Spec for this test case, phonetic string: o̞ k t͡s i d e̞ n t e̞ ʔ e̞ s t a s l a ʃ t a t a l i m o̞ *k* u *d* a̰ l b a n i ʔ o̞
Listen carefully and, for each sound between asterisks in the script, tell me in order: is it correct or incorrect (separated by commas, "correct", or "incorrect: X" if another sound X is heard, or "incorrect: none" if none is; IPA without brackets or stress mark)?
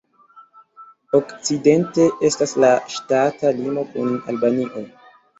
correct, incorrect: n